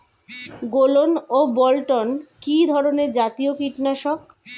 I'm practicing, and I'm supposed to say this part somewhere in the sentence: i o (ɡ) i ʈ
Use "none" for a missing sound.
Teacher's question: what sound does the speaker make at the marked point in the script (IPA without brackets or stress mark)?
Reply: k